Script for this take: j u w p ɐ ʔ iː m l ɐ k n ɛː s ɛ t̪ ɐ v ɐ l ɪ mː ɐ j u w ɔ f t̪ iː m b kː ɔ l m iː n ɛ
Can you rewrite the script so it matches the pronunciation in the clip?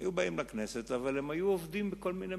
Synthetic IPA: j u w b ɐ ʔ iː m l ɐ k n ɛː s ɛ t̪ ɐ v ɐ l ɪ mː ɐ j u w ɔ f d̪ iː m b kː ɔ l m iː n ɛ